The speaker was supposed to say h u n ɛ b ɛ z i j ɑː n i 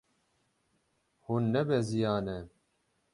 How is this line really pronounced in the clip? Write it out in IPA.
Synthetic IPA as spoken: h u nː ɛ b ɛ z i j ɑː n ɛ